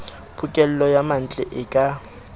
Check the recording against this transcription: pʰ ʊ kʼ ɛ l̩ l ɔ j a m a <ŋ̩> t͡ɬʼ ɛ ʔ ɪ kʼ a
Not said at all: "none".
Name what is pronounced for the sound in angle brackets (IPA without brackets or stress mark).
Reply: n̩